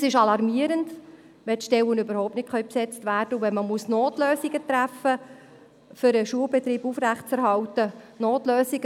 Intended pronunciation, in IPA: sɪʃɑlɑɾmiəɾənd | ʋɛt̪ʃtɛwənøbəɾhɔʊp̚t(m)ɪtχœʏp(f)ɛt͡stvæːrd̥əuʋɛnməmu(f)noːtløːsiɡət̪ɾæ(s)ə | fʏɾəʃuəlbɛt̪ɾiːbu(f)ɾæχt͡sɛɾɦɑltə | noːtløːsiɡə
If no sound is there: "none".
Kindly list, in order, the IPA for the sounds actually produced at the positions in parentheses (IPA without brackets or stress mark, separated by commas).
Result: n, s, s, f, f